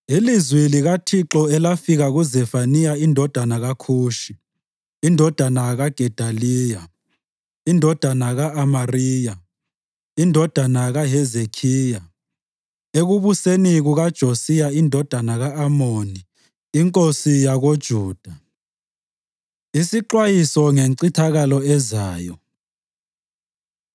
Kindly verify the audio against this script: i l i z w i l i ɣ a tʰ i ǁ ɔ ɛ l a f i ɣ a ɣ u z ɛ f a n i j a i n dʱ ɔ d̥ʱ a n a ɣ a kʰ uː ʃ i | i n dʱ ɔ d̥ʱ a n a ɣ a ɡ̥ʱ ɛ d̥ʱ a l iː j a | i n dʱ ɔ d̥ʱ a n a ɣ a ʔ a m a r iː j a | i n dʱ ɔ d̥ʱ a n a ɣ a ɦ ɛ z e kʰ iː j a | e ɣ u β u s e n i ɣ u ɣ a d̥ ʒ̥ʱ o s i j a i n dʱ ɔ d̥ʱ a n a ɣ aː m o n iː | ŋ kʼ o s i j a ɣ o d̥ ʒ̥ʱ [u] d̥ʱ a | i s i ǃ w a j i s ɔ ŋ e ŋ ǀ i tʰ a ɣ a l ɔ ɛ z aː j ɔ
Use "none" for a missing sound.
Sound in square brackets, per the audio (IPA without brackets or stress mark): uː